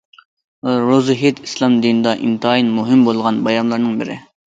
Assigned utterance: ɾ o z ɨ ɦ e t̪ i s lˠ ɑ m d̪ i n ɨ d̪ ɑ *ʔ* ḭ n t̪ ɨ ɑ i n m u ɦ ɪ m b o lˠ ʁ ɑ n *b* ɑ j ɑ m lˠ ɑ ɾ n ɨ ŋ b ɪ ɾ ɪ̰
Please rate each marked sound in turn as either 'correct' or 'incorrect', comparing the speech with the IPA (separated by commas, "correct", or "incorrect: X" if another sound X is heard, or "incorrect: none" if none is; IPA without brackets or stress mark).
correct, correct